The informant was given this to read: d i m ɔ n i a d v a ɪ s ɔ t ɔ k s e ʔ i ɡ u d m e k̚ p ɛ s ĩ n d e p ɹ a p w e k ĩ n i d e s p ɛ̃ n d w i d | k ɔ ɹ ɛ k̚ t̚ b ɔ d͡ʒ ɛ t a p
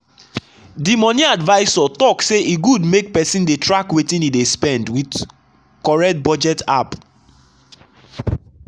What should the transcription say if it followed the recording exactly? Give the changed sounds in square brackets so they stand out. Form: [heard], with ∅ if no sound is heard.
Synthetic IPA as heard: d i m ɔ n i a d v a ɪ s ɔ t ɔ k s e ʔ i ɡ u d m e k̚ p ɛ s ĩ n d e [t] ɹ a [k] w e [t] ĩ n i d e s p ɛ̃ n d w i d | k ɔ ɹ ɛ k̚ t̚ b ɔ d͡ʒ ɛ t a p